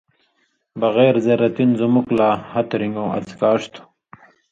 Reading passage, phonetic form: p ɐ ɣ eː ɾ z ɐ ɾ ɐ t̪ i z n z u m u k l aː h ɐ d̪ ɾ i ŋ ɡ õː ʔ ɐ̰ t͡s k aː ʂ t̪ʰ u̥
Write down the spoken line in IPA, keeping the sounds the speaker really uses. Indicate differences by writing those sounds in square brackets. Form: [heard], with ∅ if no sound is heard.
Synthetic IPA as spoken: [b] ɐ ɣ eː ɾ z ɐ ɾ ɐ t̪ i [∅] n z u m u k l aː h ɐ [t̪] ɾ i ŋ ɡ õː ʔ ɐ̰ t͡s k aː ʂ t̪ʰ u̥